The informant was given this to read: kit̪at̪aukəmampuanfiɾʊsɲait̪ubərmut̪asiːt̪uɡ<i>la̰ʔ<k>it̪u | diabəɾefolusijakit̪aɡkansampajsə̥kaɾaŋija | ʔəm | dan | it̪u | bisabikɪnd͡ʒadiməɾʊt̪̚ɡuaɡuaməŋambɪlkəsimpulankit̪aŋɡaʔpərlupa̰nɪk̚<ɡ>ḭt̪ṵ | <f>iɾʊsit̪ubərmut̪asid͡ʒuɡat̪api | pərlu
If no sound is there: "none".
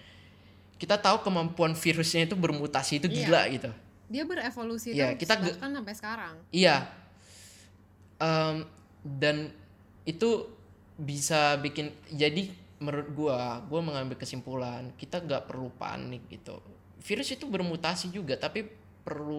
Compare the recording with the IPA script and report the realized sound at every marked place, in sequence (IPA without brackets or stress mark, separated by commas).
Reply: i, ɡ, ɡ, f